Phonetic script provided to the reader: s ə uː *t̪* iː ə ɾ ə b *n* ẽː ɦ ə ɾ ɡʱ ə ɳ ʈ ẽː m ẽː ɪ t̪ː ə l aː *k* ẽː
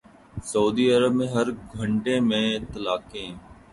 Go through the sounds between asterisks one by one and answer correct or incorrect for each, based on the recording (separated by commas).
incorrect, incorrect, correct